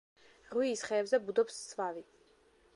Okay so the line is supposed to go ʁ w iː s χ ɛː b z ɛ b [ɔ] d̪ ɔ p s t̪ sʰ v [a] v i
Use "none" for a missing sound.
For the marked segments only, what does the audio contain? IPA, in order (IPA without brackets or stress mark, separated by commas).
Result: u, a